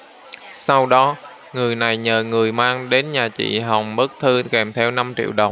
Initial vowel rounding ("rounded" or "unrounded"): unrounded